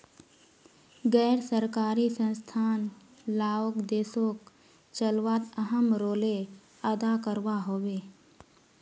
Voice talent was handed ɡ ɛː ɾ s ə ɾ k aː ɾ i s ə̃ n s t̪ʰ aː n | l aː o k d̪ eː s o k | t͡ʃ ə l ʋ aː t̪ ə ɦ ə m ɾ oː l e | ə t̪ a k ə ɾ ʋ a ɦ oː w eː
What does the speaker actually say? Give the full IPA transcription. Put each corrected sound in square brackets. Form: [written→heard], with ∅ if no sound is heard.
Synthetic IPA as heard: ɡ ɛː ɾ s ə ɾ k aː ɾ i s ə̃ n s t̪ʰ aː n | l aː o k d̪ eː s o k | t͡ʃ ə l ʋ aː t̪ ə ɦ ə m ɾ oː l e | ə [t̪→d̪] a k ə ɾ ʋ a ɦ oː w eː